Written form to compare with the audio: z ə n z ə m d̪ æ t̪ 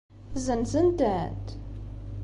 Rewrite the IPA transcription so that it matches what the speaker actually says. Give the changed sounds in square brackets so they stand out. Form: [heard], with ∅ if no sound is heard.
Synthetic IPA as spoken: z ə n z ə [n] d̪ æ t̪

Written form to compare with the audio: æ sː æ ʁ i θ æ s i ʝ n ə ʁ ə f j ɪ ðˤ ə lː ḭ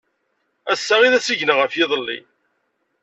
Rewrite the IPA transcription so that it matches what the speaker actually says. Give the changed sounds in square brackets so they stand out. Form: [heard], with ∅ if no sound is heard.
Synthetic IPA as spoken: æ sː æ ʁ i [ð] æ s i ʝ n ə ʁ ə f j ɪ ðˤ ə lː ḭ

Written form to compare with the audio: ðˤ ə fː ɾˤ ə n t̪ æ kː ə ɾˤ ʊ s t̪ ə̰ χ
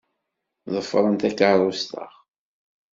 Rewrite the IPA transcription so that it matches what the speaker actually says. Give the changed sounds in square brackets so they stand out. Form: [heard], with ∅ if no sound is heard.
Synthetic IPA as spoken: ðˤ ə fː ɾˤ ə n t̪ æ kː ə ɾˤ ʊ s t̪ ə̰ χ

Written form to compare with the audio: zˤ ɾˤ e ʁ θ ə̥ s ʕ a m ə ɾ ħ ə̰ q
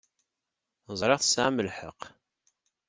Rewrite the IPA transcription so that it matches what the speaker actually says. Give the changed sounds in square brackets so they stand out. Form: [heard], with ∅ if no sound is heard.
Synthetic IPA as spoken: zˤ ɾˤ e ʁ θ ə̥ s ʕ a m ə [l] ħ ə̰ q

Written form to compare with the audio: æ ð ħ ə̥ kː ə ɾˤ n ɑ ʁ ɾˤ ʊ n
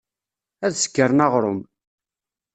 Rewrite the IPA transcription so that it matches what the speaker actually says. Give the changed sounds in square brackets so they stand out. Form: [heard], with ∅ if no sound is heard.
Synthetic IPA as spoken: æ ð [s] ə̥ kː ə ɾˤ n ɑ ʁ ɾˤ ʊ [m]

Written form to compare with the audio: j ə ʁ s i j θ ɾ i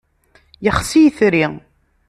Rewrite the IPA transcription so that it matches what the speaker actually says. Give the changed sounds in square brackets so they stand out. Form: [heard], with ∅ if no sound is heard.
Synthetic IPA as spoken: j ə [χ] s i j θ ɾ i

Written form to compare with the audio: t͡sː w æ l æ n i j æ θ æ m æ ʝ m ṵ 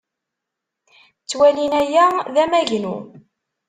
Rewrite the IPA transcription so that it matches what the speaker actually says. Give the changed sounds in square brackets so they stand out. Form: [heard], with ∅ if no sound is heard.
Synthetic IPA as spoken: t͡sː w æ l [i] n [æ] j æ [ð] æ m æ ʝ [n] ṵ

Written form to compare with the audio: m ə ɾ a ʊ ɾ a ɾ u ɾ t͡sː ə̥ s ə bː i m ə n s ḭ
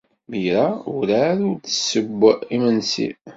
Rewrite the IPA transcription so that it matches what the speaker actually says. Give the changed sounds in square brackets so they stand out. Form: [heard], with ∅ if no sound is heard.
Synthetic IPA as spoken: m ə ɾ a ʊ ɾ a ɾ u ɾ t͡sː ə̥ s ə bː i m ə n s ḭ

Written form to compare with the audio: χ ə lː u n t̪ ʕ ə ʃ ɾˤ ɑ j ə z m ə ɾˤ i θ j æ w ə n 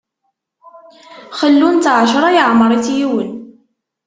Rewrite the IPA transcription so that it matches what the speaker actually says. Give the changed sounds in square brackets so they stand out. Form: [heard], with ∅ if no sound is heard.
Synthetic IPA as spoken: χ ə lː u n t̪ ʕ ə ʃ ɾˤ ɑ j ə [ʕ] m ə ɾˤ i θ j [i] w ə n

